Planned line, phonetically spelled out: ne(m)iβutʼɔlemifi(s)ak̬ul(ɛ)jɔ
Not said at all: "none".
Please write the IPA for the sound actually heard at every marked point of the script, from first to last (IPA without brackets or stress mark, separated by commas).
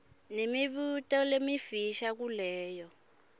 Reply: m, ʃ, ɛː